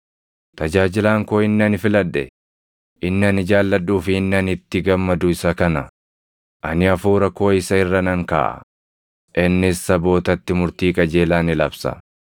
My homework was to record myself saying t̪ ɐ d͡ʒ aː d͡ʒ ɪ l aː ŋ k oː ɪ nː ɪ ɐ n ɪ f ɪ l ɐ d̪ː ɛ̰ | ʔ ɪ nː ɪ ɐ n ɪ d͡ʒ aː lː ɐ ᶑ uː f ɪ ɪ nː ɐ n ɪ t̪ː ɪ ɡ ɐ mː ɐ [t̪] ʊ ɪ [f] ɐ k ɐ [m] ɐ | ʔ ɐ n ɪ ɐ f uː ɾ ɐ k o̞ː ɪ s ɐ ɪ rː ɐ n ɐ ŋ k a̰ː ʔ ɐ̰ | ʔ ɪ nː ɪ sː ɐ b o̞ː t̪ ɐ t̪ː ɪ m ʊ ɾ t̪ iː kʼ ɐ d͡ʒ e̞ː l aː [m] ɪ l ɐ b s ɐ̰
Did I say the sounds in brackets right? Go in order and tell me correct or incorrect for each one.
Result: incorrect: d̪, incorrect: s, incorrect: n, incorrect: n

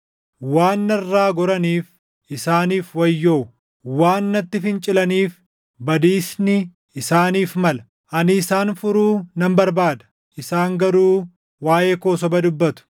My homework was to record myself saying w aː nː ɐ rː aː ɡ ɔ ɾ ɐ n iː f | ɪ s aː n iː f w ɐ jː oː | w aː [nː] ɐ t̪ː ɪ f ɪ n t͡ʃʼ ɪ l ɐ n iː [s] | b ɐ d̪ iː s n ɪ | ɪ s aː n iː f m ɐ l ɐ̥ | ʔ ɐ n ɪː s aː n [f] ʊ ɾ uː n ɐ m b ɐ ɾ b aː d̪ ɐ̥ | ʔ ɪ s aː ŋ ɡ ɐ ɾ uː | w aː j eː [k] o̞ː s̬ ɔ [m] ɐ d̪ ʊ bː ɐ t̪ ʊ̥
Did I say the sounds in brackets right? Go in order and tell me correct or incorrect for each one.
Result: correct, incorrect: f, correct, correct, incorrect: b

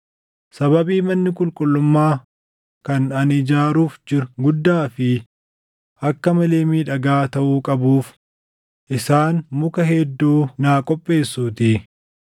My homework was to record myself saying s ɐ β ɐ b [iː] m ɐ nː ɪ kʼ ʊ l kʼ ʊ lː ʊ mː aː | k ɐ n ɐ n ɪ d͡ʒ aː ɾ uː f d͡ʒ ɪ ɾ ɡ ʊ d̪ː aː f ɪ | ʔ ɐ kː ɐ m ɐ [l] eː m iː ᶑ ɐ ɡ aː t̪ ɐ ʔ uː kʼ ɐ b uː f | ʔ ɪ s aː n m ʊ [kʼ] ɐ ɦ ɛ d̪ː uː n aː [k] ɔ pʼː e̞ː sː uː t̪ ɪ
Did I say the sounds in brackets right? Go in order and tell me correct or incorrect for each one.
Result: correct, correct, incorrect: k, incorrect: kʼ

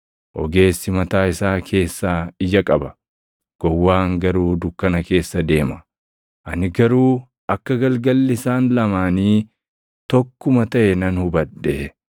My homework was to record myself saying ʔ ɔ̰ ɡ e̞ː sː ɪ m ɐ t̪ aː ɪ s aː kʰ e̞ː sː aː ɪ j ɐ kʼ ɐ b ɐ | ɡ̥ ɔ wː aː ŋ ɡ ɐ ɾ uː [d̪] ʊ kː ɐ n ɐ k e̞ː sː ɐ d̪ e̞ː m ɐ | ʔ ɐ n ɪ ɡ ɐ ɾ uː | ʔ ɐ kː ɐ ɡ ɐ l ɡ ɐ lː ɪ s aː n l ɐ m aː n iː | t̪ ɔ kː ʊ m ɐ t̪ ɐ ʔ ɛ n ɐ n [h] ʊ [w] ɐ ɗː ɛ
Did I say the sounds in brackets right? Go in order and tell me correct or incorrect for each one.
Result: correct, correct, incorrect: b

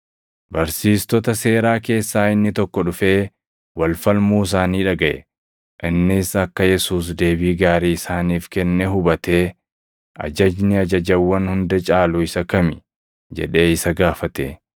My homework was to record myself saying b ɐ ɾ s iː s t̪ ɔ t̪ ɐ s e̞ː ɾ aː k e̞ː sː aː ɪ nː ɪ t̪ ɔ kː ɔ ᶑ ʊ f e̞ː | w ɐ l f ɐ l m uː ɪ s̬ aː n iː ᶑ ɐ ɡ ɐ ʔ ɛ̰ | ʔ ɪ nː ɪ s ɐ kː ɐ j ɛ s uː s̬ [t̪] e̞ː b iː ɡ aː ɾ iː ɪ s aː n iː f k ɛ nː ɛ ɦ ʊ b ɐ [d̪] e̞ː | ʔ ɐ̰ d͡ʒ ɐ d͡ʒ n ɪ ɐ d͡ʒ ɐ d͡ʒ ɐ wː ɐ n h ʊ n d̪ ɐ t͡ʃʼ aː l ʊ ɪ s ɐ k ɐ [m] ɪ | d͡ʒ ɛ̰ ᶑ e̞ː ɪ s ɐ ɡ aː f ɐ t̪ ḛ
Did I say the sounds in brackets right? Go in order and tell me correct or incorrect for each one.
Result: incorrect: d̪, incorrect: t̪, correct

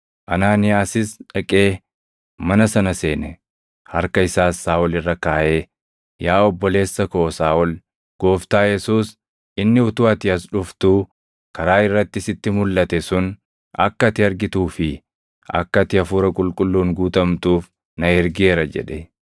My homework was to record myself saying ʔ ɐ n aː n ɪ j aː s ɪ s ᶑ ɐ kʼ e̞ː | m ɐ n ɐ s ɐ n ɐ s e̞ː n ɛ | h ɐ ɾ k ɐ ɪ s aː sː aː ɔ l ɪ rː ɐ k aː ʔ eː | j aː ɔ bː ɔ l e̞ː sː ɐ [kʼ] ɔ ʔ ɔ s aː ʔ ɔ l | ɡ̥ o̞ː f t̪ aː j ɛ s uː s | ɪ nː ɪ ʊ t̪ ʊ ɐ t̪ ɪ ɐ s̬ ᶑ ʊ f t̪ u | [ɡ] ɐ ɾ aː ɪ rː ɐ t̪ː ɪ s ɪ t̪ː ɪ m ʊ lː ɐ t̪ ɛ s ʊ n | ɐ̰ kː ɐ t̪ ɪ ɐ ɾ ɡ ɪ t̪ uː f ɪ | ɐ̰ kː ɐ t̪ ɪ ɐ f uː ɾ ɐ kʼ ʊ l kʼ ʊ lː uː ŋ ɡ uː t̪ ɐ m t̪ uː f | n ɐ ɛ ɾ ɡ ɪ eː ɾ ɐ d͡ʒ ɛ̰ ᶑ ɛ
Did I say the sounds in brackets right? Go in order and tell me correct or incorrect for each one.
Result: incorrect: k, incorrect: k

